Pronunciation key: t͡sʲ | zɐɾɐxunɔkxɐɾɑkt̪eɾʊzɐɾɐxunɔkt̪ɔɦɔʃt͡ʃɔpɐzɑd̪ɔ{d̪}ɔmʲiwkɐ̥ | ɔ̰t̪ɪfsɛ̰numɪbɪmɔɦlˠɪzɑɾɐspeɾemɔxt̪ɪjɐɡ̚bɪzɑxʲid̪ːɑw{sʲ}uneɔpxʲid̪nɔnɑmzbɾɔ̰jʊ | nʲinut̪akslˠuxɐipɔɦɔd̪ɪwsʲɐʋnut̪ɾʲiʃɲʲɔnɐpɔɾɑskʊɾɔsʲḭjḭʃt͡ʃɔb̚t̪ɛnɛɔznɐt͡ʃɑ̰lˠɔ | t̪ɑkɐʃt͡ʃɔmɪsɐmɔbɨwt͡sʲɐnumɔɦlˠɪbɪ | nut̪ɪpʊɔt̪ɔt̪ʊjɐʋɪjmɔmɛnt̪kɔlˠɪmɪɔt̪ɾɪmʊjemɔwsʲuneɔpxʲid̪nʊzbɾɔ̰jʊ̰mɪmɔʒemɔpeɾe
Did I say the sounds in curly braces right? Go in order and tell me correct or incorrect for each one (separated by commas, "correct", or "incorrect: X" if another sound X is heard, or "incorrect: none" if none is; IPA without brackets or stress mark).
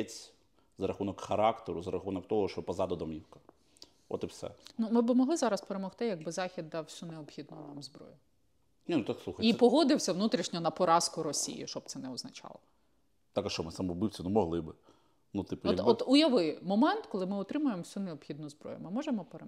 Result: correct, correct